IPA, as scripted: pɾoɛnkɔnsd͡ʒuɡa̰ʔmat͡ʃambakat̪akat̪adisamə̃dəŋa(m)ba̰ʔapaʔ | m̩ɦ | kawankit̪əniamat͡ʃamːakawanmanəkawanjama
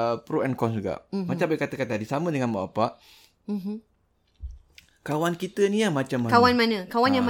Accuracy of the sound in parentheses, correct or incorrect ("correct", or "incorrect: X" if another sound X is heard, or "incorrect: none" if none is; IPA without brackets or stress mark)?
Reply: incorrect: n